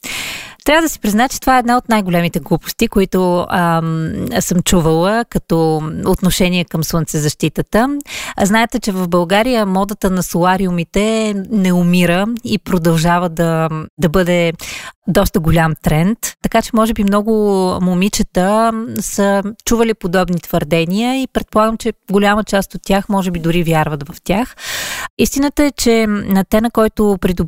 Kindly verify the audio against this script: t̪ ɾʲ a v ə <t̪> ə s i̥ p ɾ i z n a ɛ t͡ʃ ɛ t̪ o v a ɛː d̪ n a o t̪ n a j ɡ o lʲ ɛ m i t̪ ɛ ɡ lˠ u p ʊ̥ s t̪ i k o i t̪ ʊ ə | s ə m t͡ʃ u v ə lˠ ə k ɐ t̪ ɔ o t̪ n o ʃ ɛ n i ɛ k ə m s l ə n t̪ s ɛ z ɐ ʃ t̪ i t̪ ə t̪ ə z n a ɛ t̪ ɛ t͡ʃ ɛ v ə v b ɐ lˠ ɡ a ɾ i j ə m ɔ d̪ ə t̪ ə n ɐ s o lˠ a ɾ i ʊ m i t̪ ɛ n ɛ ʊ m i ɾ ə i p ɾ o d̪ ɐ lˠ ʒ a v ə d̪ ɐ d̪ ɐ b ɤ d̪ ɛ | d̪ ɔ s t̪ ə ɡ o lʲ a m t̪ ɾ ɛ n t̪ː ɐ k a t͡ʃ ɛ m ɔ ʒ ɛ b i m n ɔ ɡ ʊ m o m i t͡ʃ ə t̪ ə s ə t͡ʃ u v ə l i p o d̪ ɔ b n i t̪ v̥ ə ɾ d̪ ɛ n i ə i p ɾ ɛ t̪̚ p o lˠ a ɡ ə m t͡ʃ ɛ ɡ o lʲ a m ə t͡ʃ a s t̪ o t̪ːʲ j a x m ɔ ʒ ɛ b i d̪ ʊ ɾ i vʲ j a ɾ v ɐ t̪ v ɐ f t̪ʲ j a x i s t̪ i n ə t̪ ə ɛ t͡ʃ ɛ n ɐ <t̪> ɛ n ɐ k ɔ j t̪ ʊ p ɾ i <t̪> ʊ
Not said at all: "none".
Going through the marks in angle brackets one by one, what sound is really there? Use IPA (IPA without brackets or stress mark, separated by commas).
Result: d̪, t̪, d̪